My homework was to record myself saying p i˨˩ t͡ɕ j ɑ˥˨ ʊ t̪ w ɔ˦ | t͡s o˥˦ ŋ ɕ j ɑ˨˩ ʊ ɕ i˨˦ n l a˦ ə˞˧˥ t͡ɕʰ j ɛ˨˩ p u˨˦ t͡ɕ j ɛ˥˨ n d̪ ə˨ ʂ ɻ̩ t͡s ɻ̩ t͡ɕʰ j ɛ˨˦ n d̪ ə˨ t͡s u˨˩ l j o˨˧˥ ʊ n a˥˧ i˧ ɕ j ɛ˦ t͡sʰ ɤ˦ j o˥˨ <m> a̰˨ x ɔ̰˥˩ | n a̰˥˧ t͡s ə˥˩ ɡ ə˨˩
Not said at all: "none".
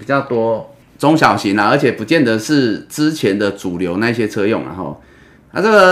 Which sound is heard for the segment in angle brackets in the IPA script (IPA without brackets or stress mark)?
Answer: ŋ